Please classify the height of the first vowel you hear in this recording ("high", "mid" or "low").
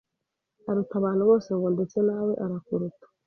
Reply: low